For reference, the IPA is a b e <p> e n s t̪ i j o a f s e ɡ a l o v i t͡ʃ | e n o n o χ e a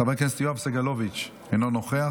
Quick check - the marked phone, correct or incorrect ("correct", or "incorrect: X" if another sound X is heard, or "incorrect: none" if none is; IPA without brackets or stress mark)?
incorrect: k